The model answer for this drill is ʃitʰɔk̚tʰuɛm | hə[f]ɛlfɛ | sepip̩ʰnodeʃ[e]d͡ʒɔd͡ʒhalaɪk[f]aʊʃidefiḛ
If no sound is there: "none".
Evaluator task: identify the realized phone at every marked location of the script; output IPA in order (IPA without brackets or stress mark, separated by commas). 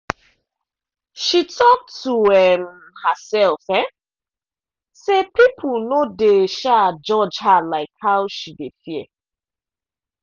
s, a, h